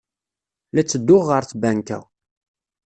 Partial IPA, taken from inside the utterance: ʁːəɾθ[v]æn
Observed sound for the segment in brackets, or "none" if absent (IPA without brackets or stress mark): b